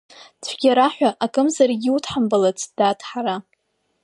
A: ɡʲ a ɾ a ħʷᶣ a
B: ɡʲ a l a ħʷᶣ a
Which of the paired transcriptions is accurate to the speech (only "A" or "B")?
A